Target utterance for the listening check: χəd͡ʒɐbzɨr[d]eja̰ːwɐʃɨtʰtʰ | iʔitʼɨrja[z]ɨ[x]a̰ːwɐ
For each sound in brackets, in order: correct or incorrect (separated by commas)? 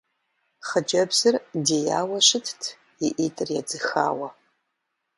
correct, incorrect, correct